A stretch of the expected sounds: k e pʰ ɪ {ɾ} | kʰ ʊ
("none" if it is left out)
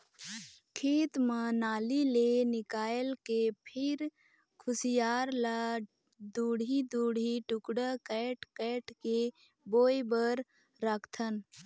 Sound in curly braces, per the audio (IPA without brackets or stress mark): ɾ